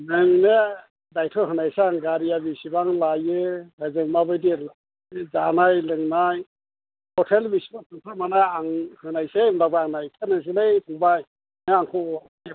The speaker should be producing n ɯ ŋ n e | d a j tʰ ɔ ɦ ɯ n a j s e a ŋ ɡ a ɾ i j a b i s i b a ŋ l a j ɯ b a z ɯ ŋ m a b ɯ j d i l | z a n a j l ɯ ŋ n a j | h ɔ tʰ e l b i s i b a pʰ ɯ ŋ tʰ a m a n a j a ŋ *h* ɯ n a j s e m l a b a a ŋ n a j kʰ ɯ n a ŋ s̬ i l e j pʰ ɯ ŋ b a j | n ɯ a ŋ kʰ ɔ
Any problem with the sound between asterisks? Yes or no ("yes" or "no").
no